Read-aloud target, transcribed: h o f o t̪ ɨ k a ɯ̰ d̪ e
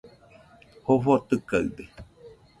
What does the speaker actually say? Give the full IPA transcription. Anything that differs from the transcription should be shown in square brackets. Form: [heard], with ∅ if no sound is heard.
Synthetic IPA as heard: h o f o t̪ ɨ k a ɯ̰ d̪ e